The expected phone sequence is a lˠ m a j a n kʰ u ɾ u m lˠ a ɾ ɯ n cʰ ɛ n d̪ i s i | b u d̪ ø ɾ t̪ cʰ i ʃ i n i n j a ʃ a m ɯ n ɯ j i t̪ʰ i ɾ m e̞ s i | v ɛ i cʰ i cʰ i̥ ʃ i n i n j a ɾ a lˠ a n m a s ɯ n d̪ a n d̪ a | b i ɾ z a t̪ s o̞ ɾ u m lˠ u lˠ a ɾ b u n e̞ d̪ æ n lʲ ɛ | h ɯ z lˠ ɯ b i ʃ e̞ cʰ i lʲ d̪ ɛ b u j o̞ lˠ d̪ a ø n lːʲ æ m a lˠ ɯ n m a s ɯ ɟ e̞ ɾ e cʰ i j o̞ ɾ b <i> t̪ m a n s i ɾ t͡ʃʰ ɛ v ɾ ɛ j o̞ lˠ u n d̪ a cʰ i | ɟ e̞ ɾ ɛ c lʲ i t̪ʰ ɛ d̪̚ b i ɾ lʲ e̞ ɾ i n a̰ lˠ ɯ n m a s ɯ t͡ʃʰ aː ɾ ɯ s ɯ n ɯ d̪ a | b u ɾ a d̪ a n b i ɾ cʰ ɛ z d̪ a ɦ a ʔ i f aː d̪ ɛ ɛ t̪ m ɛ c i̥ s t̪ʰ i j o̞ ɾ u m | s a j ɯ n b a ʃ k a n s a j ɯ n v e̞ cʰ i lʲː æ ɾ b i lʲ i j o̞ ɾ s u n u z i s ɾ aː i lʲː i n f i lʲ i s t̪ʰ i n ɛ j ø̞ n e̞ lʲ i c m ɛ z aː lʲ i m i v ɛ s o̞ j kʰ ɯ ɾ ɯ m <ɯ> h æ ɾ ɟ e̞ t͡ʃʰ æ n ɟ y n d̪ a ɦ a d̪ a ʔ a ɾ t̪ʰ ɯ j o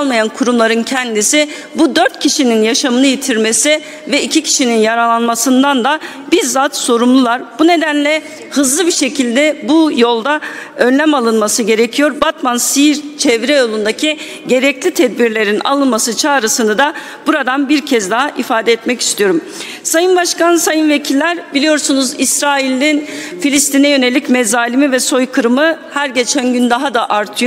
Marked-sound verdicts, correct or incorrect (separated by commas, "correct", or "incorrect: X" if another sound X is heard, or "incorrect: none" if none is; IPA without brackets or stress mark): incorrect: a, correct